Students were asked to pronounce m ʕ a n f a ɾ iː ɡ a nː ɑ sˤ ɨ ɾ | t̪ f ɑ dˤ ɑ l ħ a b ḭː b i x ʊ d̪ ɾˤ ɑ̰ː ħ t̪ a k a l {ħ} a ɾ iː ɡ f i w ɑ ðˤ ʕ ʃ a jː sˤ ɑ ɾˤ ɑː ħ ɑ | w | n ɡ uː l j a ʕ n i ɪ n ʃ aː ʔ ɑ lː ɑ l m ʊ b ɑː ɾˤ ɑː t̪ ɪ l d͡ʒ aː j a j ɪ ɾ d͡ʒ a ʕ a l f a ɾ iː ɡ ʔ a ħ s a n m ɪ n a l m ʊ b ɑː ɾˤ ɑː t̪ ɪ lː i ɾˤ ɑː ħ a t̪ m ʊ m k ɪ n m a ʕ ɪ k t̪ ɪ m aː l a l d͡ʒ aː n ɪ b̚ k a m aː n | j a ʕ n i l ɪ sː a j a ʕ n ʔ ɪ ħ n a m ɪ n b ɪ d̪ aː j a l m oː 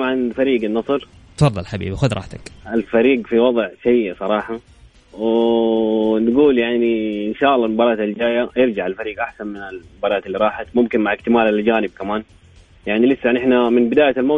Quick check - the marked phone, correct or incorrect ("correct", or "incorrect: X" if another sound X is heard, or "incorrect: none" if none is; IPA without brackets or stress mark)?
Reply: incorrect: f